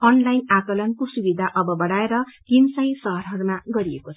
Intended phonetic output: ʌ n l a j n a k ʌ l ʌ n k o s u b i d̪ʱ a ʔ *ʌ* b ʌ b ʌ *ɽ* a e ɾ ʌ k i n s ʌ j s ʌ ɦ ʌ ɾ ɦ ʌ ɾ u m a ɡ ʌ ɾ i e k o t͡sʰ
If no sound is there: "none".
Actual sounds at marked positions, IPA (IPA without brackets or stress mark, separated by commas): ʌ, ɽ